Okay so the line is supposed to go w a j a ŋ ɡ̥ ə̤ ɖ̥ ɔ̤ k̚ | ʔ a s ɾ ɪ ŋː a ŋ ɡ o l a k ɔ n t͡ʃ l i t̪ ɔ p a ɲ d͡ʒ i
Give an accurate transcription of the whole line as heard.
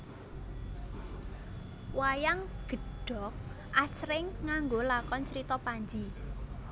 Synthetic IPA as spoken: w a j a ŋ ɡ̥ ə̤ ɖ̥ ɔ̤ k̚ | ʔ a s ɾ ɪ ŋː a ŋ ɡ o l a k ɔ n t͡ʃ ɾ i t̪ ɔ p a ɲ d͡ʒ i